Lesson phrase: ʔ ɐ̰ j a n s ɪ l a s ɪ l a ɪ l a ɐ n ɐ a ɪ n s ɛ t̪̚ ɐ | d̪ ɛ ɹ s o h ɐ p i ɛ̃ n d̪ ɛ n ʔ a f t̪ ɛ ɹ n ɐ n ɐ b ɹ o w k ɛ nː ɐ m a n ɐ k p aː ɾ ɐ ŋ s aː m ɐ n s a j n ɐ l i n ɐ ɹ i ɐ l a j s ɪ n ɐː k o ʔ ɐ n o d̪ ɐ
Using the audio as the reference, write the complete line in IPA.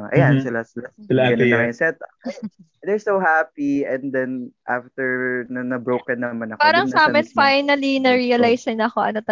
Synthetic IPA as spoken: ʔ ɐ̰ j a n s ɪ l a s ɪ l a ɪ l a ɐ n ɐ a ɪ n s ɛ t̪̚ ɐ | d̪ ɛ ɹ s o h a p i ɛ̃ n d̪ ɛ n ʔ a f t̪ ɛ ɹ n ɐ n ɐ b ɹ o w k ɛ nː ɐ m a n ɐ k p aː ɾ ɐ ŋ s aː m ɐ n f a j n ɐ l i n ɐ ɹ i ɐ l a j s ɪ n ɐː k o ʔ ɐ n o t̪ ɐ